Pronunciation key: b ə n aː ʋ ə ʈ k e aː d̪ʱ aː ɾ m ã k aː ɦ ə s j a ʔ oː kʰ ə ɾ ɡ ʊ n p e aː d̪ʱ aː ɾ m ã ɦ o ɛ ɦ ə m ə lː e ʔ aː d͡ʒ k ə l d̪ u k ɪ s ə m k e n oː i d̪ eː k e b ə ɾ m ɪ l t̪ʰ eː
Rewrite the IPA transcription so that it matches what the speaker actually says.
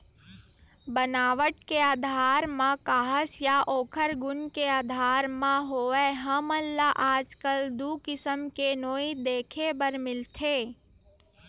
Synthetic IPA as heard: b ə n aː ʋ ə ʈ k e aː d̪ʱ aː ɾ m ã k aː ɦ ə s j a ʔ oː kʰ ə ɾ ɡ ʊ n k e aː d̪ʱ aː ɾ m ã ɦ o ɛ ɦ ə m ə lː a ʔ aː d͡ʒ k ə l d̪ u k ɪ s ə m k e n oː i d̪ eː kʰ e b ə ɾ m ɪ l t̪ʰ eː